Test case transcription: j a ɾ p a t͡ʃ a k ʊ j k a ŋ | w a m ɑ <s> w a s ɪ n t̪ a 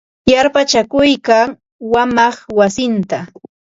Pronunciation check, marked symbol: incorrect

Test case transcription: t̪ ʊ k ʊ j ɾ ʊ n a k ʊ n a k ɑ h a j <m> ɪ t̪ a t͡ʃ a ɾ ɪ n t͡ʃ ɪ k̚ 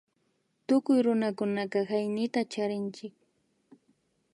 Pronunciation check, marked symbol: incorrect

